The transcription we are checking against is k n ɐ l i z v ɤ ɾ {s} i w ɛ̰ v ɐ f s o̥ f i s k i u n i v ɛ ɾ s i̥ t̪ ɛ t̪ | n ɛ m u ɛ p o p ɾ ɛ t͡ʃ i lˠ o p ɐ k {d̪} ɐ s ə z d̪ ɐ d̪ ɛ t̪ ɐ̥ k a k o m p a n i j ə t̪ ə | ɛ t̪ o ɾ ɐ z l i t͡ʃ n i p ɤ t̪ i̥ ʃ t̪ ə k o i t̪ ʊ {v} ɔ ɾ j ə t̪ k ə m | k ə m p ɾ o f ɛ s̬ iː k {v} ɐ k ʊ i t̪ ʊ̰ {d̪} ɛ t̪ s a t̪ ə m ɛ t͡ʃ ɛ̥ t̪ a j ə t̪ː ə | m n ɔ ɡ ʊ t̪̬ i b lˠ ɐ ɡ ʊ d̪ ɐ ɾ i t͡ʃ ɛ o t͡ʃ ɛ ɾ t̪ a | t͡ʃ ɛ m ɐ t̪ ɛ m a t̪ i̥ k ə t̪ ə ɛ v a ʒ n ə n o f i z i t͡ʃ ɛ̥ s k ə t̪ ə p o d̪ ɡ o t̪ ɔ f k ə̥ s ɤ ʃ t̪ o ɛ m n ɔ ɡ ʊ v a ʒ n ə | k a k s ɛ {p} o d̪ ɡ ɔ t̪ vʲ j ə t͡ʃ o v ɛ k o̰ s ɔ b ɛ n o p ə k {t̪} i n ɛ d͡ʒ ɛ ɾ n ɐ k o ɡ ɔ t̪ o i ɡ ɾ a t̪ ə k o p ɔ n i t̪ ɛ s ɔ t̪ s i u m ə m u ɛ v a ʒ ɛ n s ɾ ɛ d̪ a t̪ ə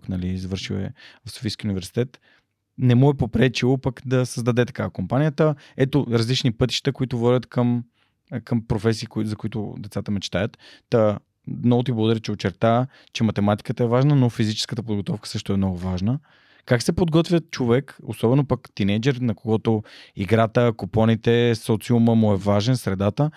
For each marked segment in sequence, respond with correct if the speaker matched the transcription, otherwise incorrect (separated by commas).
incorrect, correct, correct, incorrect, correct, correct, correct